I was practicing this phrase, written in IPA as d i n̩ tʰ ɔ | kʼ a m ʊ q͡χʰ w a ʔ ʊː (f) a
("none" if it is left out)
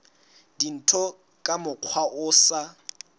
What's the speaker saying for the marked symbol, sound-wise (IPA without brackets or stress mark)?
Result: s